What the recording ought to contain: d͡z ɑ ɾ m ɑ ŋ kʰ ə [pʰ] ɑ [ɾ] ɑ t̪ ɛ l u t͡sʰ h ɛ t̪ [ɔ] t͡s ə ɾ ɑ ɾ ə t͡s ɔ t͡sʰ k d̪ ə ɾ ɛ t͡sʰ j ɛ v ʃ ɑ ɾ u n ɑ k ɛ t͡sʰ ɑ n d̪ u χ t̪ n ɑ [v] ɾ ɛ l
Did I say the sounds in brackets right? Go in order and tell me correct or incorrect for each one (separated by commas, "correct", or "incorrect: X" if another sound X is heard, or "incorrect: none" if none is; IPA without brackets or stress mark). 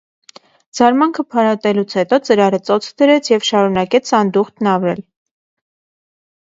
correct, correct, correct, correct